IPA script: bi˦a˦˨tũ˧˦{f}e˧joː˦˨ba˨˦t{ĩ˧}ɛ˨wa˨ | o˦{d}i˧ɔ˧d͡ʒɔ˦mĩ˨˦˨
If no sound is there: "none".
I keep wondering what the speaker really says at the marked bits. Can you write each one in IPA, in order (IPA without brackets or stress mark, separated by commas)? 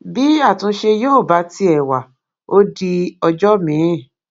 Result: ʃ, i˧, d